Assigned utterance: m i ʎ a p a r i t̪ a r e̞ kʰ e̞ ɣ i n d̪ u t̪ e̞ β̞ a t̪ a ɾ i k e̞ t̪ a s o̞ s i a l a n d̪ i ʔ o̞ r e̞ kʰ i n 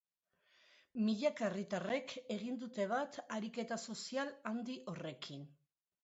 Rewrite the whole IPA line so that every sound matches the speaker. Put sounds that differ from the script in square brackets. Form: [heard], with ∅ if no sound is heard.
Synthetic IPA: m i ʎ a [k] a r i t̪ a r e̞ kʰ e̞ ɣ i n d̪ u t̪ e̞ β̞ a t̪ a ɾ i k e̞ t̪ a s o̞ s i a l a n d̪ i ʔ o̞ r e̞ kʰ i n

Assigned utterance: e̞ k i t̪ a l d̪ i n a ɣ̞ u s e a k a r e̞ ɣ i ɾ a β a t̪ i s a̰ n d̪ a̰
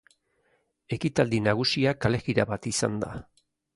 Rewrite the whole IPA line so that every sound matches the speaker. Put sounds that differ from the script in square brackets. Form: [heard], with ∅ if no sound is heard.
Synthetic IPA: e̞ k i t̪ a l d̪ i n a ɣ̞ u s [i] a k a [l] e̞ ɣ i ɾ a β a t̪ i s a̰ n d̪ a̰

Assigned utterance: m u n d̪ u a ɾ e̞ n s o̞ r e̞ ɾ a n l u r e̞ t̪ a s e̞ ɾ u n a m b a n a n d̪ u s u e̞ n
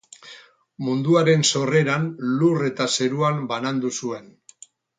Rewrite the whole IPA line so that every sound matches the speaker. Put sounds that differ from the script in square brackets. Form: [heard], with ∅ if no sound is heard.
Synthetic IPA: m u n d̪ u a ɾ e̞ n s o̞ r e̞ ɾ a n l u r e̞ t̪ a s e̞ ɾ u [∅] a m b a n a n d̪ u s u e̞ n

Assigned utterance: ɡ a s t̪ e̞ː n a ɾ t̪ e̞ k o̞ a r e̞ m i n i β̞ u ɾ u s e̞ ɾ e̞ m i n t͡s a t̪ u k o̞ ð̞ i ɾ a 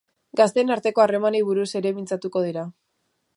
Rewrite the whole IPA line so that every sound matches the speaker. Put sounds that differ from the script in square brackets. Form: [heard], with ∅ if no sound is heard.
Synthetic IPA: ɡ a s t̪ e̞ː n a ɾ t̪ e̞ k o̞ a r e̞ m [a] n i β̞ u ɾ u s e̞ ɾ e̞ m i n t͡s a t̪ u k o̞ ð̞ i ɾ a

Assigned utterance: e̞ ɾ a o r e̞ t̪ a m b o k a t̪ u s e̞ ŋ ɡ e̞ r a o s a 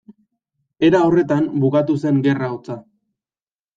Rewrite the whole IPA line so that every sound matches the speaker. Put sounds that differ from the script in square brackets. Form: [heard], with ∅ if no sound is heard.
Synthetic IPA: e̞ ɾ a o r e̞ t̪ a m b [u] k a t̪ u s e̞ ŋ ɡ e̞ r a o [t͡s] a

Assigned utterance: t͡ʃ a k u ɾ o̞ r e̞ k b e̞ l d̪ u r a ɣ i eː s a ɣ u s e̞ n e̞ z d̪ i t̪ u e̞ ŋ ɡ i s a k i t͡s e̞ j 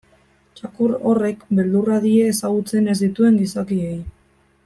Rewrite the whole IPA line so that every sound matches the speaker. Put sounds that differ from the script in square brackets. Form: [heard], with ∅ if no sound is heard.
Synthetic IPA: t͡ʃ a k u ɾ o̞ r e̞ k b e̞ l d̪ u r a [ð] i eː s a ɣ u [t͡s] e̞ n e̞ z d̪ i t̪ u e̞ ŋ ɡ i s a k i [∅] e̞ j

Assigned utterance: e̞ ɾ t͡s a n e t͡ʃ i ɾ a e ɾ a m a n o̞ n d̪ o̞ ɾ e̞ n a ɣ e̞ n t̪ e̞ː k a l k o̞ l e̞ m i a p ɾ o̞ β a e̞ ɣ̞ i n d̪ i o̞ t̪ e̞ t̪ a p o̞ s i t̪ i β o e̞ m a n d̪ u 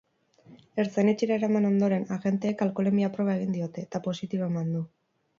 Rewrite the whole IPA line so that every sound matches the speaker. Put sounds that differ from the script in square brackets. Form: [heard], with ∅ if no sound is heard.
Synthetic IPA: e̞ ɾ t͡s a n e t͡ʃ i ɾ a e ɾ a m a n o̞ n d̪ o̞ ɾ e̞ n a ɣ e̞ n t̪ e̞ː k a l k o̞ l e̞ m i a p ɾ o̞ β a e̞ ɣ̞ i n d̪ i o̞ t̪ e̞ t̪ a p o̞ s i t̪ i β o e̞ m a n d̪ u

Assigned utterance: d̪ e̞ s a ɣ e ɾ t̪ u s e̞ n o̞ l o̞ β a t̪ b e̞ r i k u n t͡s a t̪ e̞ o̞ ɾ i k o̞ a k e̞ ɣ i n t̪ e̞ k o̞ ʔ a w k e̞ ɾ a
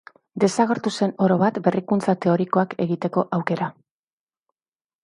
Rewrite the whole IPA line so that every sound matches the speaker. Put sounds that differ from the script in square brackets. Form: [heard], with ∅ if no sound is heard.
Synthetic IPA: d̪ e̞ s a ɣ e ɾ t̪ u s e̞ n o̞ [ɾ] o̞ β a t̪ b e̞ r i k u n t͡s a t̪ e̞ o̞ ɾ i k o̞ a k e̞ ɣ i [∅] t̪ e̞ k o̞ ʔ a w k e̞ ɾ a

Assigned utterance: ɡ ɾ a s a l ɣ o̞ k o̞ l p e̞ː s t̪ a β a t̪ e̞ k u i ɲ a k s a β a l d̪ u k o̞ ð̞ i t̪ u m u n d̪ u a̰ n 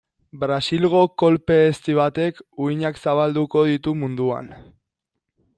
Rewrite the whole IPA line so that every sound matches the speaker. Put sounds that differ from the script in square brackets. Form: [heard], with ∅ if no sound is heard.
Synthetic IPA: [b] ɾ a s [i] l ɣ o̞ k o̞ l p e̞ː s t̪ [i] β a t̪ e̞ k u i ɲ a k s a β a l d̪ u k o̞ ð̞ i t̪ u m u n d̪ u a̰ n

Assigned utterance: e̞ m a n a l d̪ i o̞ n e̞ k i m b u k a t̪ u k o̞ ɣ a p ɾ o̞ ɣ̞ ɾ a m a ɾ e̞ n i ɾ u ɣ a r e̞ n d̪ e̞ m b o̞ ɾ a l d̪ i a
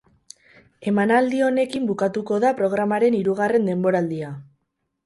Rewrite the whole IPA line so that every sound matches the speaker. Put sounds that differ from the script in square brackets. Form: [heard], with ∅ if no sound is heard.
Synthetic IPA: e̞ m a n a l d̪ i o̞ n e̞ k i m b u k a t̪ u k o̞ [ð] a p ɾ o̞ ɣ̞ ɾ a m a ɾ e̞ n i ɾ u ɣ a r e̞ n d̪ e̞ m b o̞ ɾ a l d̪ i a

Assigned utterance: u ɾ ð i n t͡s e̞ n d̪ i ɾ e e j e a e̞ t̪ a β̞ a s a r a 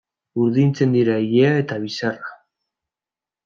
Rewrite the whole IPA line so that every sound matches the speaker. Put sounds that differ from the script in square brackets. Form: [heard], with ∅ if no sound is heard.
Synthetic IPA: u ɾ ð i n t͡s e̞ n d̪ i ɾ [a] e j e a e̞ t̪ a β̞ [i] s a r a

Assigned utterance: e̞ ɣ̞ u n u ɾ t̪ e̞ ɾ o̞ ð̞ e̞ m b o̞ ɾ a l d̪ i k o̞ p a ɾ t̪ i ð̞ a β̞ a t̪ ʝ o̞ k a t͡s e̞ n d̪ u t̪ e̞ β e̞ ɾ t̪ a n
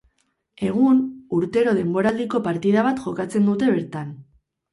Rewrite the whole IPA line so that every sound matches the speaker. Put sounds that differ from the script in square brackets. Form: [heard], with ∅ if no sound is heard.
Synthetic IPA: e̞ ɣ̞ u n u ɾ t̪ e̞ ɾ o̞ ð̞ e̞ m b o̞ ɾ a l d̪ i k o̞ p a ɾ t̪ i ð̞ a β̞ a t̪ ʝ o̞ k a t͡s e̞ n d̪ u t̪ e̞ β e̞ ɾ t̪ a n

